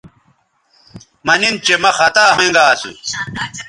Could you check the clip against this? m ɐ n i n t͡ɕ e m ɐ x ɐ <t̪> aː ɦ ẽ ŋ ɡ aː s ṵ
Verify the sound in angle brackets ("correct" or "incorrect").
correct